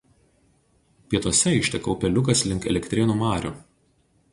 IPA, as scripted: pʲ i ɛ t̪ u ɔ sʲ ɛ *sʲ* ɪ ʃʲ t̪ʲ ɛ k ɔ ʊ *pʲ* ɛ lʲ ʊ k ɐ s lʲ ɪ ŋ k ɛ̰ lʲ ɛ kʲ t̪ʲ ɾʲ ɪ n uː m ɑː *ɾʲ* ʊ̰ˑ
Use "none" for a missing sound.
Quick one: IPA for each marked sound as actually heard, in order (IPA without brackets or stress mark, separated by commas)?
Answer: none, pʲ, ɾʲ